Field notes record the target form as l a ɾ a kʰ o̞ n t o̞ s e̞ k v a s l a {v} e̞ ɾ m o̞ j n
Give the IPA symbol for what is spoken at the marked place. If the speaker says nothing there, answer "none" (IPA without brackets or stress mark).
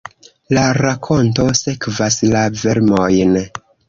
v